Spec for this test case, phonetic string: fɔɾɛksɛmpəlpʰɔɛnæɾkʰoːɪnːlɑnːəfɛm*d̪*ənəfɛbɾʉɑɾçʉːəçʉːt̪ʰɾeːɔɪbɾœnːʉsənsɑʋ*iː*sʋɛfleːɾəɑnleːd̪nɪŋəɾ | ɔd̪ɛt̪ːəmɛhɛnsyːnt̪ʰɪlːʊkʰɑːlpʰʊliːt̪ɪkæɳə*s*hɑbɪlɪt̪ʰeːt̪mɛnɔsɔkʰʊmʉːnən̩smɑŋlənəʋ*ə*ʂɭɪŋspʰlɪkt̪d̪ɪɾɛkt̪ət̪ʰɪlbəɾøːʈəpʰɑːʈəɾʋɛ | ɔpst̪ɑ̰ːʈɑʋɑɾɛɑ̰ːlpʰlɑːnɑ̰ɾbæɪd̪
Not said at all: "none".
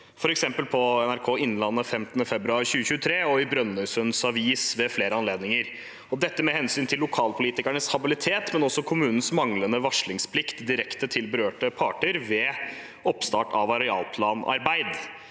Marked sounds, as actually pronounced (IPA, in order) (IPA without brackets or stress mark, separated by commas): t̪, iː, s, ɑ